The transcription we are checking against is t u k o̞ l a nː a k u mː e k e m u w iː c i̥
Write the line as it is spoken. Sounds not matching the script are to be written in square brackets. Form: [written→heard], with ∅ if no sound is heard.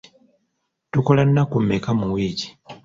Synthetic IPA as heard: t u k o̞ l a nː a k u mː e k [e→a] m u w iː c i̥